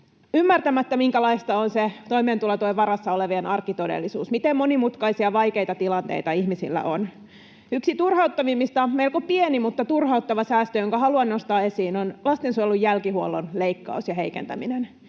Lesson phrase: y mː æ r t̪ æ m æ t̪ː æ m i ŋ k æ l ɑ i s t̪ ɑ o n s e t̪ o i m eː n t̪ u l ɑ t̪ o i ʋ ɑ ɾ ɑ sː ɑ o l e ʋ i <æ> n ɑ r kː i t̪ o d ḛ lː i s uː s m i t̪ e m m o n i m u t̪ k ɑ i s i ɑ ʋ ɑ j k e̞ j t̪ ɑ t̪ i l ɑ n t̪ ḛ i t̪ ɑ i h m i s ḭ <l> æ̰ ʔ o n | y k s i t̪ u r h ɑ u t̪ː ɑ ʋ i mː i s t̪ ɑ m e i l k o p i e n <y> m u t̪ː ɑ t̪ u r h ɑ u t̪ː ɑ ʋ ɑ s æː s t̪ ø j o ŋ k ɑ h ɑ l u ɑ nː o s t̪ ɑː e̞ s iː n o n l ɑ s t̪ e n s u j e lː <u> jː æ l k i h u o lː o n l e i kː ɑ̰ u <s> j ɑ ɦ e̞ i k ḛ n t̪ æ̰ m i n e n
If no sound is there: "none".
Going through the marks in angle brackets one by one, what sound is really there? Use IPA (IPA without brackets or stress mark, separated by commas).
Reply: e, lː, i, u, s